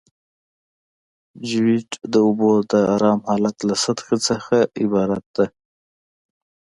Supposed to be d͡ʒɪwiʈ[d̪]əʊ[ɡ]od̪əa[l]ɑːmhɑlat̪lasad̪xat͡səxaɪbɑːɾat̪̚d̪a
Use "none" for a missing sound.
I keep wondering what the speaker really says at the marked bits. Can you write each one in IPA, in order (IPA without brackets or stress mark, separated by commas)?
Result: d̪, b, ɾ